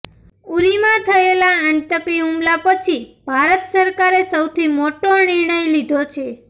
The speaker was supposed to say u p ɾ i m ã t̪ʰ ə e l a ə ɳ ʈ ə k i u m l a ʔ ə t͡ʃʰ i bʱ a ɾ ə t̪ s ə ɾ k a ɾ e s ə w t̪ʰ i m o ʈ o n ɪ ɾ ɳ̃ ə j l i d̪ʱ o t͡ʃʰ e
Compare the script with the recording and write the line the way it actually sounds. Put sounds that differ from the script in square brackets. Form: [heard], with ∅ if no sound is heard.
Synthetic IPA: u [∅] ɾ i m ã t̪ʰ ə e l a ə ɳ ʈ ə k i u m l a [p] ə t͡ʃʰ i bʱ a ɾ ə t̪ s ə ɾ k a ɾ e s ə w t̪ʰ i m o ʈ o n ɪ ɾ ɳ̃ ə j l i d̪ʱ o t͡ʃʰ e